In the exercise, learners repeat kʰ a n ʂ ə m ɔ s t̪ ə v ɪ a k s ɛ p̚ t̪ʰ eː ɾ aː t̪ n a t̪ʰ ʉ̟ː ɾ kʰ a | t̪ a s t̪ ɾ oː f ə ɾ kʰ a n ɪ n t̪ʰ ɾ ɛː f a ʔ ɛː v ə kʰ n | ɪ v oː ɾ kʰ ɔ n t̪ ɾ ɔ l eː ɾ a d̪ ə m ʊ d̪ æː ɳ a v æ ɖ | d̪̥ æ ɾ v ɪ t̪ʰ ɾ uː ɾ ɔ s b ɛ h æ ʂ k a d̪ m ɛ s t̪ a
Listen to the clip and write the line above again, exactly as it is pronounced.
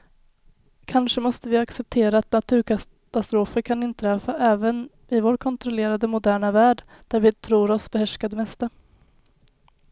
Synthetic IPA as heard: kʰ a n ʂ ə m ɔ s t̪ ə v ɪ a k s ɛ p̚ t̪ʰ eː ɾ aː t̪ n a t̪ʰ ʉ̟ː ɾ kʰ a | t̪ a s t̪ ɾ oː f ə ɾ kʰ a n ɪ n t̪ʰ ɾ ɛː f a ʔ ɛː v ə n | ɪ v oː ɾ kʰ ɔ n t̪ ɾ ɔ l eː ɾ a d̪ ə m ʊ d̪ æː ɳ a v æː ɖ | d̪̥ æ ɾ v ɪ t̪ʰ ɾ uː ɾ ɔ s b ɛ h æ ʂ k a d̪ m ɛ s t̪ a